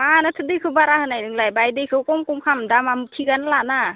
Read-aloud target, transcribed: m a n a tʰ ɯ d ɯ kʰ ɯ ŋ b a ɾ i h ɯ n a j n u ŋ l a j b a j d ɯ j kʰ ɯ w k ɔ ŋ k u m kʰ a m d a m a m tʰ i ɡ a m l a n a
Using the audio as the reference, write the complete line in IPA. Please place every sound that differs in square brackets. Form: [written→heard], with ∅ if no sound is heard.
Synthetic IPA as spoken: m a n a tʰ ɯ d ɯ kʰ ɯ [ŋ→∅] b a ɾ [i→a] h ɯ n a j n [u→ɯ] ŋ l a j b a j d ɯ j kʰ ɯ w k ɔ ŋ k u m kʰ a m d a m a m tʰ i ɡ a [m→n] l a n a